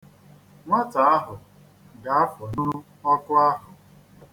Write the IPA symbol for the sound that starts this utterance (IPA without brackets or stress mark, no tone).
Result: ŋʷ